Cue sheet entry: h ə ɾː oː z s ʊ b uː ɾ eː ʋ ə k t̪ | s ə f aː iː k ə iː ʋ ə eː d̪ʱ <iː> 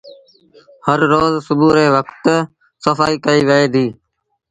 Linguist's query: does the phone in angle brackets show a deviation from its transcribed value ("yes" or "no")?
no